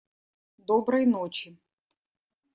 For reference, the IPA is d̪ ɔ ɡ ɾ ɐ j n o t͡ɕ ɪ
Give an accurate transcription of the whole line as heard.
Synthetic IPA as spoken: d̪ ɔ b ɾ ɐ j n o t͡ɕ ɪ